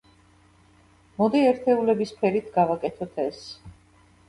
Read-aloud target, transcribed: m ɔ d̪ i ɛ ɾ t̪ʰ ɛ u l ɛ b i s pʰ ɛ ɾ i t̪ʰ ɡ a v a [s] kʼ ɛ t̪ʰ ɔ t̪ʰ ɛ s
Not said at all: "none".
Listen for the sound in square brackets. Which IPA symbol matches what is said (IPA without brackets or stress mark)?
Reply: none